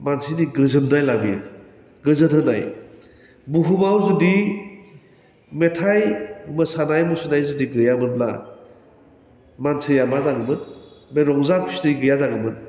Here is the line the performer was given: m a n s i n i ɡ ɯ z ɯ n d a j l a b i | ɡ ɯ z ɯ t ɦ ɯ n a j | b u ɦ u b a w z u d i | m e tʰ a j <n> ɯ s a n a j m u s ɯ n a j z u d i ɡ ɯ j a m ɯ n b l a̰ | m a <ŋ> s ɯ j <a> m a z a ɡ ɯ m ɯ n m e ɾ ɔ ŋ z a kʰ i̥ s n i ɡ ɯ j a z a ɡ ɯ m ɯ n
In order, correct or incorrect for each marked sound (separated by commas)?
incorrect, incorrect, correct